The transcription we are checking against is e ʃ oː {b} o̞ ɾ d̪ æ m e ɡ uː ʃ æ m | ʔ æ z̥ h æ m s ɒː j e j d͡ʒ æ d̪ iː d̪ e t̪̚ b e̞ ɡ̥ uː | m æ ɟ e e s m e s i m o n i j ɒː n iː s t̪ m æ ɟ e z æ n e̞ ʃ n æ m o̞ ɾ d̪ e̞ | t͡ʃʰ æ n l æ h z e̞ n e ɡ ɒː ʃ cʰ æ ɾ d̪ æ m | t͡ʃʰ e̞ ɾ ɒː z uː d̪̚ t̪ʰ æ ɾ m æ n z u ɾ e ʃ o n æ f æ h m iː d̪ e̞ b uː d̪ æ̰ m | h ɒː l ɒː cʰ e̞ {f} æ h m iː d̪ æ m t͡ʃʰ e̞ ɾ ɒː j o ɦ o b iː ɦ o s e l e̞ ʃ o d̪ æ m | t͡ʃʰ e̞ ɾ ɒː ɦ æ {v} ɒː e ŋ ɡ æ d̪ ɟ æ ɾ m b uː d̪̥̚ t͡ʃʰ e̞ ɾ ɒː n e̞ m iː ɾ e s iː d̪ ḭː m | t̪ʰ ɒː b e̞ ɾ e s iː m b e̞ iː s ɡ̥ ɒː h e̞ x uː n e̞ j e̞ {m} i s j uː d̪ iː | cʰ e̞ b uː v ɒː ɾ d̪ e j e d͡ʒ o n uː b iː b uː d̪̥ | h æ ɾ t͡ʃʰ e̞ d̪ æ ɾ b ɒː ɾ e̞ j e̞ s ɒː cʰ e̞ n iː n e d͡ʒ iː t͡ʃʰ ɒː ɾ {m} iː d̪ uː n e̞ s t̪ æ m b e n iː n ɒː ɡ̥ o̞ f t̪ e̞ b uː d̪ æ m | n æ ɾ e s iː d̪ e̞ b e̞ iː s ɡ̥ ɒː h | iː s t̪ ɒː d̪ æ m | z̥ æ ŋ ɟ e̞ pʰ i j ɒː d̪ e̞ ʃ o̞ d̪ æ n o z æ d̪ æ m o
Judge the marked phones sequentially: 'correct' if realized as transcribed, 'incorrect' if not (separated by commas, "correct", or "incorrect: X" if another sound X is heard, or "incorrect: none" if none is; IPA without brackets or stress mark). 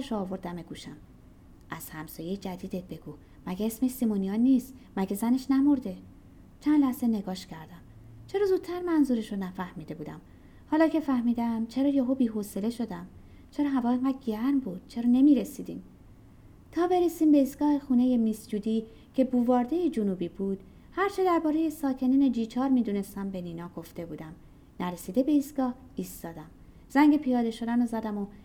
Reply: incorrect: v, correct, correct, correct, correct